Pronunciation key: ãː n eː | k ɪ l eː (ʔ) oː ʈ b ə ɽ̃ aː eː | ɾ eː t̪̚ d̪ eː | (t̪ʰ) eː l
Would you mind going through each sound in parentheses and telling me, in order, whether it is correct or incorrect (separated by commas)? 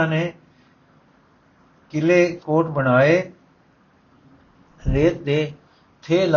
incorrect, correct